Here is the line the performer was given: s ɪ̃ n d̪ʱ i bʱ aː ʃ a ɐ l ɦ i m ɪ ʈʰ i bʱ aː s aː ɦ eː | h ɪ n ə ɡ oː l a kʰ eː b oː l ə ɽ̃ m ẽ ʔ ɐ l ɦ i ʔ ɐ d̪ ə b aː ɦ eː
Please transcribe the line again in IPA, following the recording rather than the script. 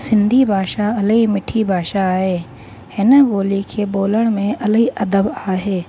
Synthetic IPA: s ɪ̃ n d̪ʱ i bʱ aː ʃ a ɐ l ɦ i m ɪ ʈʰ i bʱ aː ʃ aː ɦ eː | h ɪ n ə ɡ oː l i kʰ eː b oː l ə ɽ̃ m ẽ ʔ ɐ l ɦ i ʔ ɐ d̪ ə b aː ɦ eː